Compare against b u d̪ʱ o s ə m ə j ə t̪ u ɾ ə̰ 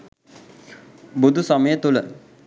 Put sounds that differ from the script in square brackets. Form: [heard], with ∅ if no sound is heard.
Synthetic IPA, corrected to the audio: b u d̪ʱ [u] s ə m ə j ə t̪ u [l] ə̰